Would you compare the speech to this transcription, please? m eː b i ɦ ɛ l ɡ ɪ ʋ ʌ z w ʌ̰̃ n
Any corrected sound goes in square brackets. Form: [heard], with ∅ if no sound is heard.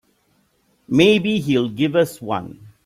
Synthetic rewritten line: m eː b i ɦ [i] l ɡ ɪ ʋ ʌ [s] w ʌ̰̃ n